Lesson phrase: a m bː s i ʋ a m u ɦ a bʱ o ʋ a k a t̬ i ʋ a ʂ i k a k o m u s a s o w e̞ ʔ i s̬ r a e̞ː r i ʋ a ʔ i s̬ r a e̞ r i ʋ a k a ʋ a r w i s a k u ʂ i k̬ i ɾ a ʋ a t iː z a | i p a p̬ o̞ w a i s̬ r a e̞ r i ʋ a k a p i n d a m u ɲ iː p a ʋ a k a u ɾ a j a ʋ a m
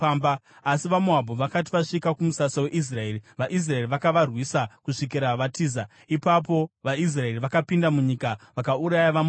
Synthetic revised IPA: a m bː s i ʋ a m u ɦ a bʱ o ʋ a k a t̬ i ʋ a ʂ i k a k u m u s a s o w e̞ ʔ i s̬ r a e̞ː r i ʋ a ʔ i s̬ r a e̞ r i ʋ a k a ʋ a r w i s a k u ʂ i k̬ i ɾ a ʋ a t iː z a | i p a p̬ o̞ ʋ a i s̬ r a e̞ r i ʋ a k a p i n d a m u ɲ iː k a ʋ a k a u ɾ a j a ʋ a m